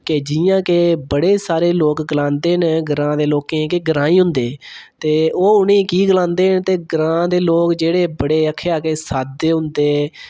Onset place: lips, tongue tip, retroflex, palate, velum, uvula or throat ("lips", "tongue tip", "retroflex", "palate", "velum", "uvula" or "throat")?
velum